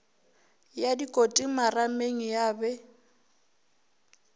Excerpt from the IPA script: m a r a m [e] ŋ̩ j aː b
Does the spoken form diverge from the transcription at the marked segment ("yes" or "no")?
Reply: no